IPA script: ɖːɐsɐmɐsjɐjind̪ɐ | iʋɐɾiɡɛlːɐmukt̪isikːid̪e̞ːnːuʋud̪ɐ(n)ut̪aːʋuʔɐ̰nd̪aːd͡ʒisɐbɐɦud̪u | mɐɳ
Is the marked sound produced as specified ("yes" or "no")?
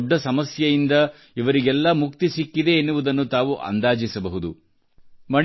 no